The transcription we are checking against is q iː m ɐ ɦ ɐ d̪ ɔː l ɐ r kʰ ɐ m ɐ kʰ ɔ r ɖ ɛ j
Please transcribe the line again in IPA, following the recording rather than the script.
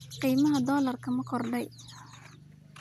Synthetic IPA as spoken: q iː m ɐ ɦ ɐ d̪ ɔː l ɐ r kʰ ɐ m ɐ kʰ ɔ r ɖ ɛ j